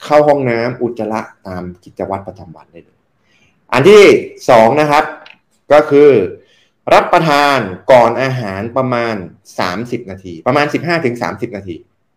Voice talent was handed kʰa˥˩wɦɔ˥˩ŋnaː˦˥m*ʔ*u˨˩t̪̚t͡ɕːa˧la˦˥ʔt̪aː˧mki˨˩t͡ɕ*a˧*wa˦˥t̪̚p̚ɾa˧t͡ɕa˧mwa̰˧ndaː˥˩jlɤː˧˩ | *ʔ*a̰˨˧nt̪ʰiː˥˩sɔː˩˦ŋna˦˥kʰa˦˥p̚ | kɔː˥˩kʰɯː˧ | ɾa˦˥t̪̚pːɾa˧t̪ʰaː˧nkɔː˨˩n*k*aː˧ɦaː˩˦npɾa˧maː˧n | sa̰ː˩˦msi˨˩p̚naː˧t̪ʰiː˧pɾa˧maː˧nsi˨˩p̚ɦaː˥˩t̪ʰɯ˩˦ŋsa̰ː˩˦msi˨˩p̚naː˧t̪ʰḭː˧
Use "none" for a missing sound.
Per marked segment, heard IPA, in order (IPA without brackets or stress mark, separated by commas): ʔ, a˧, ʔ, ʔ